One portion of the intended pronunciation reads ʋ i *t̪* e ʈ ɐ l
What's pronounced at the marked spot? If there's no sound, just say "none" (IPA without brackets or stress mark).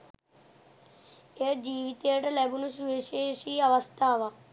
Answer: t̪